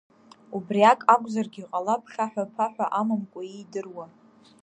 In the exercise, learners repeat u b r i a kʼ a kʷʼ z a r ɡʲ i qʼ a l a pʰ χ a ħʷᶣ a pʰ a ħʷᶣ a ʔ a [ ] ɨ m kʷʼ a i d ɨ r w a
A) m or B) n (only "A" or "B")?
A